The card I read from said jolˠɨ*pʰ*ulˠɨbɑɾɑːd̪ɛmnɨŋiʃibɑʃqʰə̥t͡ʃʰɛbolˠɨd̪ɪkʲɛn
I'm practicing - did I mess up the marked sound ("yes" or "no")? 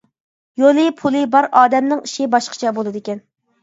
no